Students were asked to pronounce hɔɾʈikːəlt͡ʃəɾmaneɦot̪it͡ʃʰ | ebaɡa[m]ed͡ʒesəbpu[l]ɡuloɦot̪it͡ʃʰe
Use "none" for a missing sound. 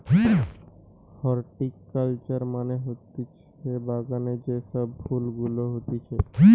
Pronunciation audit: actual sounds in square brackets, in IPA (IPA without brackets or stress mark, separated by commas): n, l